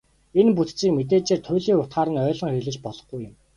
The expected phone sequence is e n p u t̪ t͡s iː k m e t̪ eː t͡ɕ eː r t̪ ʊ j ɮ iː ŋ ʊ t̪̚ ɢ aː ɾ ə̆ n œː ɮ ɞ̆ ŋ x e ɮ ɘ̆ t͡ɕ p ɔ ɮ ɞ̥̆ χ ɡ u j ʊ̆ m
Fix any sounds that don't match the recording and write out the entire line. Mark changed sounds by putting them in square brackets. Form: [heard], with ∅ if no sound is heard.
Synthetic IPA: e n p u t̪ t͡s iː k m e t̪ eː t͡ɕ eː r [t̪ʰ] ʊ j ɮ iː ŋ ʊ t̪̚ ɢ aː ɾ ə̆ n œː ɮ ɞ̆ ŋ x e ɮ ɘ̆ t͡ɕ p ɔ ɮ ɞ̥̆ χ ɡ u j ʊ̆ m